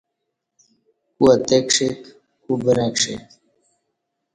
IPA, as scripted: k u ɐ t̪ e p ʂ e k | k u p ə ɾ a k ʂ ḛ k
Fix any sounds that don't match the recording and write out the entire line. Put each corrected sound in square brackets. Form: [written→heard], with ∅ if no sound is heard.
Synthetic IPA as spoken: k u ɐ t̪ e [p→k] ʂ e k | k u [p→b] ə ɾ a k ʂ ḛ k